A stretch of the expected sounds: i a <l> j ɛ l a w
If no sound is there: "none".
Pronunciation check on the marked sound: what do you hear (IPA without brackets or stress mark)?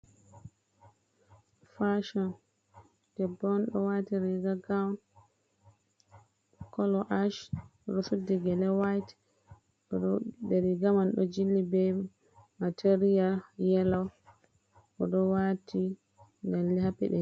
l